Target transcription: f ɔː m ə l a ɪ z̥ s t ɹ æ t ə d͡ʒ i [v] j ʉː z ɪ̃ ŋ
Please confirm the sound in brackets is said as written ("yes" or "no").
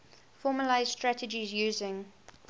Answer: no